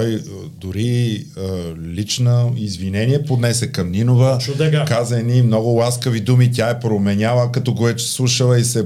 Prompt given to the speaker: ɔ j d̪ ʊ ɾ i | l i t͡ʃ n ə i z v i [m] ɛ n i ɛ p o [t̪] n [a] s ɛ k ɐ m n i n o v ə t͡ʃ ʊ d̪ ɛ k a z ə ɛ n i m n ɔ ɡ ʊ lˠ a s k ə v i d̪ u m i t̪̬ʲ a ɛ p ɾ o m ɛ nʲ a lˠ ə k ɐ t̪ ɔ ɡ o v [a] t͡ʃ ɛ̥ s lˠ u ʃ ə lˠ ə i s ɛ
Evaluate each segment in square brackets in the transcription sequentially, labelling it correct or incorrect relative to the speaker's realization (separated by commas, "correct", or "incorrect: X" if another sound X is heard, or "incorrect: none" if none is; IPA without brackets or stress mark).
incorrect: n, incorrect: d̪, incorrect: ɛ, incorrect: ɛ